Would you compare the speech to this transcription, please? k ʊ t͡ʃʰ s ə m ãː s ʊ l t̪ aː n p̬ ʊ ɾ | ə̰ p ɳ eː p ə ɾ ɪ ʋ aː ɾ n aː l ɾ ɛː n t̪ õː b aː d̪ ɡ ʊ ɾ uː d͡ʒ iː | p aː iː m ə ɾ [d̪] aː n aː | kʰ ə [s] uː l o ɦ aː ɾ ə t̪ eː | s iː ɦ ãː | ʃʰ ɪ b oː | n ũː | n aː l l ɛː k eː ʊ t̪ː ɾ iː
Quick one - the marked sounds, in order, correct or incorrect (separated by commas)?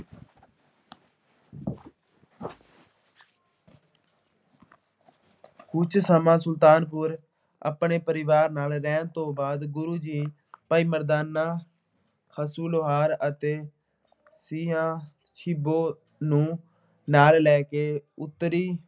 correct, correct